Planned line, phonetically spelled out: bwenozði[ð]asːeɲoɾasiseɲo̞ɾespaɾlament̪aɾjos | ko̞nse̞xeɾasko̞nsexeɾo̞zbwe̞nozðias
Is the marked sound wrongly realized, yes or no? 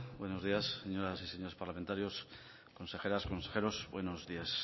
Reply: yes